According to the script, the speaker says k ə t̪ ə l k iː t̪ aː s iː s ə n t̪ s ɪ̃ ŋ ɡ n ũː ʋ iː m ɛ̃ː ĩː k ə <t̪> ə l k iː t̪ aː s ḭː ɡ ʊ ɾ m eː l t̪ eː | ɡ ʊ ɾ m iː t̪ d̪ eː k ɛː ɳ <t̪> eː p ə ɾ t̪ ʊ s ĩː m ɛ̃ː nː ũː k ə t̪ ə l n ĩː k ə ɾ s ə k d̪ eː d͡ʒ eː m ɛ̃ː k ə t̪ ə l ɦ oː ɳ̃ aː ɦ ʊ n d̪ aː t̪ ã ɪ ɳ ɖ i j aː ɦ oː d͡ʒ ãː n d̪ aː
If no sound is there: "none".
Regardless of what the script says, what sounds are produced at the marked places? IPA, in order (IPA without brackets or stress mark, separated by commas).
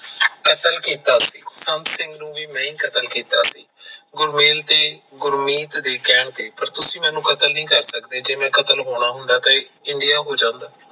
t̪, t̪